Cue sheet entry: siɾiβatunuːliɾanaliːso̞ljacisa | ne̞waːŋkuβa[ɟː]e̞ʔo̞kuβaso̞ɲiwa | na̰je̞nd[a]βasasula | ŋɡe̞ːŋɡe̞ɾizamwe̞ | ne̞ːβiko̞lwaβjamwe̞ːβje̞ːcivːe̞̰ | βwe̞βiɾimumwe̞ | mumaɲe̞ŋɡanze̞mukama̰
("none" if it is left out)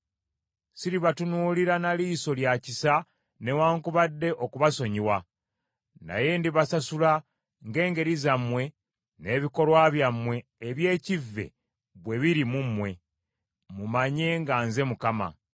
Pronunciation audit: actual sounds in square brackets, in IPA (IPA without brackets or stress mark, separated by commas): dː, i